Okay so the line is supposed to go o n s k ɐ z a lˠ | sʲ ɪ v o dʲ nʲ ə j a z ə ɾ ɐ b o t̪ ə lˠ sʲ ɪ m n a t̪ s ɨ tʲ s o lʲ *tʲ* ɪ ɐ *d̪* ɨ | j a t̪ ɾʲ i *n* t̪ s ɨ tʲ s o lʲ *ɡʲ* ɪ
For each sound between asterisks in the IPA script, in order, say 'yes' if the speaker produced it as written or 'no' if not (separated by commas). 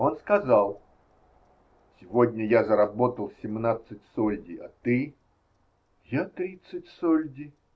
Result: no, no, no, no